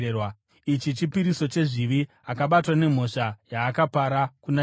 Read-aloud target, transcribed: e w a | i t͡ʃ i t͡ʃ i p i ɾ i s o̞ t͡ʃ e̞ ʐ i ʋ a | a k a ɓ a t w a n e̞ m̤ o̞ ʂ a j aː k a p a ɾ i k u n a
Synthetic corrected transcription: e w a | i t͡ʃ i t͡ʃ i p i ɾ i s o̞ t͡ʃ e̞ ʐ i ʋ i | a k a ɓ a t w a n e̞ m̤ o̞ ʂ a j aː k a p a ɾ a k u n a